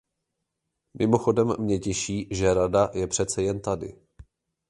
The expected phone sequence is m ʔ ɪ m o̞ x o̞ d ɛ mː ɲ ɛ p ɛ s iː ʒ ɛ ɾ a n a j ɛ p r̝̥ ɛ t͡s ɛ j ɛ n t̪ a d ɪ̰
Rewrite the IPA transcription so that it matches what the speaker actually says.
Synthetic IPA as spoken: m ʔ ɪ m o̞ x o̞ d ɛ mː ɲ ɛ c ɛ ʃ iː ʒ ɛ ɾ a d a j ɛ p r̝̥ ɛ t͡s ɛ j ɛ n t̪ a d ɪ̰